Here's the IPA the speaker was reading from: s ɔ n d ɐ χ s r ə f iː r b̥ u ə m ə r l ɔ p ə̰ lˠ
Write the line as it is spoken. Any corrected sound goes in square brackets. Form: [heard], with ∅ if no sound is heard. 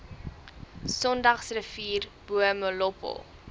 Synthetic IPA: s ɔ n d ɐ χ s r ə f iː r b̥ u ə m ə [∅] l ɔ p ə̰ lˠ